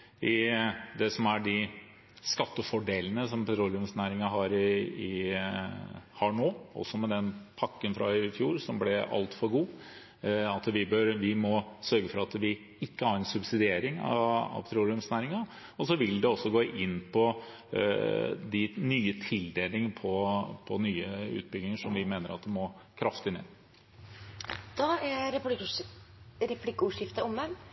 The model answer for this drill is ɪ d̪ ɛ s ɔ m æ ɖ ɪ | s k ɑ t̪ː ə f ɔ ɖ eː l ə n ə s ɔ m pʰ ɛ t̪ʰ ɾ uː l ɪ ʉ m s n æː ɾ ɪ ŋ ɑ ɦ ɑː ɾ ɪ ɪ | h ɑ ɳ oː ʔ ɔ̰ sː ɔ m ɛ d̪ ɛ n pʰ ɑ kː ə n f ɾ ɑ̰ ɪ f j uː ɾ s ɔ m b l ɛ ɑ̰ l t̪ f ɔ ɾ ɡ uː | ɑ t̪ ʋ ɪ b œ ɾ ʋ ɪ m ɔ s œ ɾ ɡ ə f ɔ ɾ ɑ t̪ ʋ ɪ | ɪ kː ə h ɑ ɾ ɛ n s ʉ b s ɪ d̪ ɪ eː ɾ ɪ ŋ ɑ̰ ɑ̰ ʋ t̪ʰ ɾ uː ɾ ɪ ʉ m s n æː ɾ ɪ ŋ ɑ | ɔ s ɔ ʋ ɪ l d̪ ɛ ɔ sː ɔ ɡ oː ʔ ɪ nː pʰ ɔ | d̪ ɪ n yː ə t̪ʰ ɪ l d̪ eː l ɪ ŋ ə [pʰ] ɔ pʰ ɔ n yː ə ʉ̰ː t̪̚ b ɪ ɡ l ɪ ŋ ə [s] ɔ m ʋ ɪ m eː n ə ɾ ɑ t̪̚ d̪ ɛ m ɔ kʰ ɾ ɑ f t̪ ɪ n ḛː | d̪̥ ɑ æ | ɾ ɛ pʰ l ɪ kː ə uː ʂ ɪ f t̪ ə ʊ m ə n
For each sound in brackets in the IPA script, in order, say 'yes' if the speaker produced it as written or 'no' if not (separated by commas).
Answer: yes, no